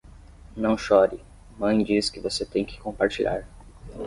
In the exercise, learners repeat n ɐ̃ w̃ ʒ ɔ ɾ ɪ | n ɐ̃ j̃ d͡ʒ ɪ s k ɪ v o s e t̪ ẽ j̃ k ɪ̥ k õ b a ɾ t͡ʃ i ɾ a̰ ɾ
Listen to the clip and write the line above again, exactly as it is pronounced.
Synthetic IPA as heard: n ɐ̃ w̃ ʃ ɔ ɾ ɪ | m ɐ̃ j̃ d͡ʒ i s k ɪ v o s e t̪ ẽ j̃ k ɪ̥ k õ p a ɾ t͡ʃ i ʎ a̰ ɾ